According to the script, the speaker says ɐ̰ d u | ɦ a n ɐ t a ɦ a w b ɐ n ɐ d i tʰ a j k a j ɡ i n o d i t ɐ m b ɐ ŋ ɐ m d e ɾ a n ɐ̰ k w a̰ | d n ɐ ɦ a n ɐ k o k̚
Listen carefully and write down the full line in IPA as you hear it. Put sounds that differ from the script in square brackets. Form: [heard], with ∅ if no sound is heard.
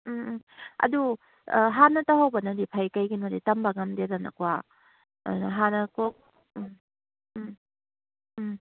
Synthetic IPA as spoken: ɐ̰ d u | ɦ a n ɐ t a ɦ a w b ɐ n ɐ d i [pʰ] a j k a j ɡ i n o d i t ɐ m b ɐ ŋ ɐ m d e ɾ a n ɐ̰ k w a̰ | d n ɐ ɦ a n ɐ k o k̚